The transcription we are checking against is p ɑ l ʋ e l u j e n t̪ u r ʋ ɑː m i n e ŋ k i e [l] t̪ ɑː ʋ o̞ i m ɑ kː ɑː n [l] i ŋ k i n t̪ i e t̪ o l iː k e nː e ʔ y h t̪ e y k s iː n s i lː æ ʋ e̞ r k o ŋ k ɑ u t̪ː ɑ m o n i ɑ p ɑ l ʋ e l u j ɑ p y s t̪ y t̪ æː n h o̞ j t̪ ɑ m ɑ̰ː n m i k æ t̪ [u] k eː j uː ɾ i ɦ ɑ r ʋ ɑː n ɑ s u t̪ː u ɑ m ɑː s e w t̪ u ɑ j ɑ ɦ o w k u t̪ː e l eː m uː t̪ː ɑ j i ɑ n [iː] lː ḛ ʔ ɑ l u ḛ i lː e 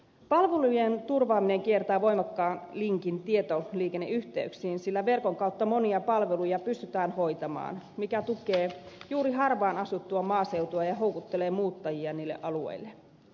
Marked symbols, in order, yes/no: no, yes, yes, yes

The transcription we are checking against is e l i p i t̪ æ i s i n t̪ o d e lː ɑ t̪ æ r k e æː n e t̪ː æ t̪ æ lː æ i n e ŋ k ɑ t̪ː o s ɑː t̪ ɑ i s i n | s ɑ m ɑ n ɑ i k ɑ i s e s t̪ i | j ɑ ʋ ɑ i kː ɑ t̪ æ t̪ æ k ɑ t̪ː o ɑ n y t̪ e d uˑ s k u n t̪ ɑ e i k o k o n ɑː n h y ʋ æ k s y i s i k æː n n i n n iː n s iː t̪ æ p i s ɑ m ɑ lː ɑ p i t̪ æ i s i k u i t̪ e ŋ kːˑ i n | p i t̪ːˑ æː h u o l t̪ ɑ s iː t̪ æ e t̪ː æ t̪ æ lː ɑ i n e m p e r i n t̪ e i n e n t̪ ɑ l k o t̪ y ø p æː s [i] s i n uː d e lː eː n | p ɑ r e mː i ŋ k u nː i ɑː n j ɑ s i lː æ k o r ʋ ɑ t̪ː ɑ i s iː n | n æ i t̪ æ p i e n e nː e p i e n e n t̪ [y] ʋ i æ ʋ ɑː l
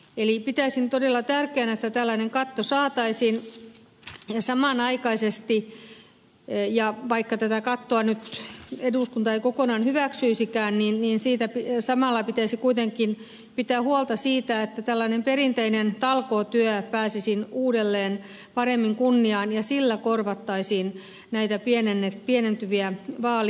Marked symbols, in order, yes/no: yes, yes

